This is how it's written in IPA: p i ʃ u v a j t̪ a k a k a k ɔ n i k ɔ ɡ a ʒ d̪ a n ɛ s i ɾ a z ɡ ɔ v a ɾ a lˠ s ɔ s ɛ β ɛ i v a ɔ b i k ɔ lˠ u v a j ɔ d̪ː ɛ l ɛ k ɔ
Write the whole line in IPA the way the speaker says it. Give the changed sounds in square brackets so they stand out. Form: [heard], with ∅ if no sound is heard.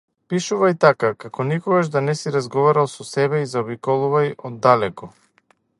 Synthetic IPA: p i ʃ u v a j t̪ a k a k a k ɔ n i k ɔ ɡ a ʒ d̪ a n ɛ s i ɾ a z ɡ ɔ v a ɾ a lˠ s ɔ s ɛ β ɛ i [z] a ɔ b i k ɔ lˠ u v a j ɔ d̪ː [a] l ɛ k ɔ